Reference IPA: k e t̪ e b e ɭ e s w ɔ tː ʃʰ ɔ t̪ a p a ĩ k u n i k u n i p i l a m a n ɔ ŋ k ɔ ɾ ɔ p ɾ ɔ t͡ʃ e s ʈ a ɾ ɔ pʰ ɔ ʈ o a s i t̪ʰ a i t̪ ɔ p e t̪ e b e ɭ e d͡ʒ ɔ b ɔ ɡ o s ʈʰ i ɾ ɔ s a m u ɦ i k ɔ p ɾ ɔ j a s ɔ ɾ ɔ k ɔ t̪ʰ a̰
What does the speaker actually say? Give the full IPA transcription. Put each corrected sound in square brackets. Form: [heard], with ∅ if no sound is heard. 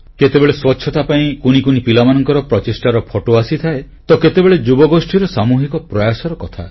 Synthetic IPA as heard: k e t̪ e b e ɭ e s w ɔ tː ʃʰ ɔ t̪ a p a ĩ k u n i k u n i p i l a m a n ɔ ŋ k ɔ ɾ ɔ p ɾ ɔ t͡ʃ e s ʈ a ɾ ɔ pʰ ɔ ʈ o a s i t̪ʰ a [e] t̪ ɔ [k] e t̪ e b e ɭ e d͡ʒ [u] b ɔ ɡ o s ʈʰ i ɾ ɔ s a m u ɦ i k ɔ p ɾ ɔ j a s ɔ ɾ ɔ k ɔ t̪ʰ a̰